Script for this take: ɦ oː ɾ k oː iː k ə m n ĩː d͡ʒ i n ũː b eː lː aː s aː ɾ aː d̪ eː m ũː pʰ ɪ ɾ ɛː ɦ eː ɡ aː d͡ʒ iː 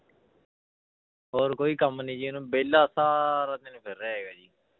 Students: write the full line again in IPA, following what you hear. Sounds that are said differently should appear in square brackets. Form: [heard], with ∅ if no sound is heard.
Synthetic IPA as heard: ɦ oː ɾ k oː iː k ə m n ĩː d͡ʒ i n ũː b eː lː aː s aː ɾ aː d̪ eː [n] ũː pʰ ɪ ɾ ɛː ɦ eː ɡ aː d͡ʒ iː